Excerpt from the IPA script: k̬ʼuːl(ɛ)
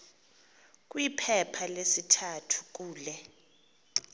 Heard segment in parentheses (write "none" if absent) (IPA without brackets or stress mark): ɛ